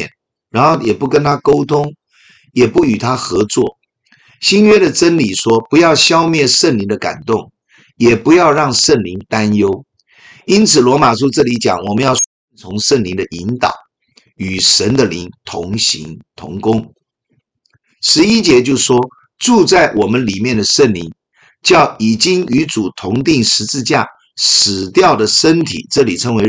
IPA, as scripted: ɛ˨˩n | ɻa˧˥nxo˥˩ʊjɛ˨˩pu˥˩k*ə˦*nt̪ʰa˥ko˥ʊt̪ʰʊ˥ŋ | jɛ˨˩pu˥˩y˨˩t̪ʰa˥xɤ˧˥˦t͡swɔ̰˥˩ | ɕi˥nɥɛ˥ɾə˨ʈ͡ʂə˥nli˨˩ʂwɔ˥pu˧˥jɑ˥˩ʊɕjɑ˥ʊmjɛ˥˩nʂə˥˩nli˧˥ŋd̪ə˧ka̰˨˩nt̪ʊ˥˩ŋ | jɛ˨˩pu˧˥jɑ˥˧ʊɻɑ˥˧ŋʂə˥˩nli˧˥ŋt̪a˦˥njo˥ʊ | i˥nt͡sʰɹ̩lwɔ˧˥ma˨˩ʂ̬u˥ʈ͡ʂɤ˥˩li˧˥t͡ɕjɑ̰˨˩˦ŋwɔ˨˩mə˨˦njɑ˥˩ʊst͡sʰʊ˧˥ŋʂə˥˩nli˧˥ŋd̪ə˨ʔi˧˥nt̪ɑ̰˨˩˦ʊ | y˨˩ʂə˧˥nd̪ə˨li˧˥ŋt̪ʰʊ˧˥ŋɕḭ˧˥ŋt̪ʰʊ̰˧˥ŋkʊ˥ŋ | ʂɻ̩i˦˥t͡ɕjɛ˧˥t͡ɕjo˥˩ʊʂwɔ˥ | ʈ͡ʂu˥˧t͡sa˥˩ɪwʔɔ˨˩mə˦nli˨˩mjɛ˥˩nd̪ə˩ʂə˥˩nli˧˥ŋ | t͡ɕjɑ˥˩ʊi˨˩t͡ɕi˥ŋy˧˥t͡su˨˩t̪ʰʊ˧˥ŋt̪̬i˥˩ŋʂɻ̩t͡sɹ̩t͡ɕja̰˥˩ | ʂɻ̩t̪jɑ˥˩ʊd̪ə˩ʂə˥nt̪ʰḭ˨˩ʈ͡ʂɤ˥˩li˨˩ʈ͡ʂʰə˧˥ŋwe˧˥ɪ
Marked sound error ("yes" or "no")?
no